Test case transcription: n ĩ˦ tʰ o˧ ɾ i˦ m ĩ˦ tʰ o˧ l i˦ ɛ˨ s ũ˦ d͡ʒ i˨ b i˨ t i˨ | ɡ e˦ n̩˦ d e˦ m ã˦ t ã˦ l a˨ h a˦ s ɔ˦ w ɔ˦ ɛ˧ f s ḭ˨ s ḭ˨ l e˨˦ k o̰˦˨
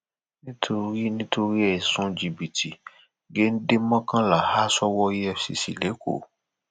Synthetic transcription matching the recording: n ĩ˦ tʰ o˧ ɾ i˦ n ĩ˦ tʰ o˧ ɾ i˦ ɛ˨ s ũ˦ d͡ʒ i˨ b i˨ t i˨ | ɡ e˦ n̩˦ d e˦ m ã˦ k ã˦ l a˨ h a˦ s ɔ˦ w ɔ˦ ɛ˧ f s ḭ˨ s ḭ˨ l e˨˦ k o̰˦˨